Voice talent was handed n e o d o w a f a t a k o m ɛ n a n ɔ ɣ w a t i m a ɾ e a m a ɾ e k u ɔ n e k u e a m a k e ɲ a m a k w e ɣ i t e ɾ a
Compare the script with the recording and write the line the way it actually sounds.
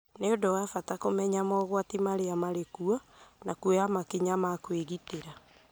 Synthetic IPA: n e o d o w a f a t a k o m ɛ ɲ a m ɔ ɣ w a t i m a ɾ e a m a ɾ e k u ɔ n a k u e a m a k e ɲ a m a k w e ɣ i t e ɾ a